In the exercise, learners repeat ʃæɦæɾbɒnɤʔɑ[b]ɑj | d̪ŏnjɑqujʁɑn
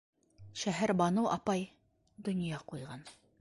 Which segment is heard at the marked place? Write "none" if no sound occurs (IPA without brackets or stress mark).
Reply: p